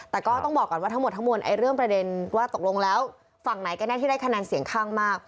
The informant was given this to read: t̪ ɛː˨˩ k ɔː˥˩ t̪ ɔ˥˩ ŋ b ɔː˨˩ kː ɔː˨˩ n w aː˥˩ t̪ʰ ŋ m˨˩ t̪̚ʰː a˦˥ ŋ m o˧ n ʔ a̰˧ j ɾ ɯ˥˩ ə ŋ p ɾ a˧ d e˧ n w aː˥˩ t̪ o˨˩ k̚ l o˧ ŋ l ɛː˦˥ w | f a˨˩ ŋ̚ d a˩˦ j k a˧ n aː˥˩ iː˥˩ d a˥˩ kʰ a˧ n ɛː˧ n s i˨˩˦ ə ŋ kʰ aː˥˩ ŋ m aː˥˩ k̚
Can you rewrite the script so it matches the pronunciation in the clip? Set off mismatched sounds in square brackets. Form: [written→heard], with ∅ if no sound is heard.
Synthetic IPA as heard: t̪ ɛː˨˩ k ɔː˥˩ t̪ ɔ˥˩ ŋ b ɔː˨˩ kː ɔː˨˩ n w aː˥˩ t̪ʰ ŋ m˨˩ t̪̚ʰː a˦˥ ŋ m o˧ n ʔ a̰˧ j ɾ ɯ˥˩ ə ŋ p ɾ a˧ d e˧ n w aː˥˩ t̪ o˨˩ k̚ l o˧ ŋ l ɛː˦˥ w | f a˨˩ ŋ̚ [d→n] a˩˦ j k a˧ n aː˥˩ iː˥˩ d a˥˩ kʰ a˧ n ɛː˧ n s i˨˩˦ ə ŋ kʰ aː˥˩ ŋ m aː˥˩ k̚